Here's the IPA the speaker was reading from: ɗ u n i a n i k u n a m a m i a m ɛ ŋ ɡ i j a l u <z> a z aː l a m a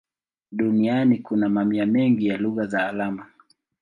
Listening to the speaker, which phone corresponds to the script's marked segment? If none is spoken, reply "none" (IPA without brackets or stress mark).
ɣ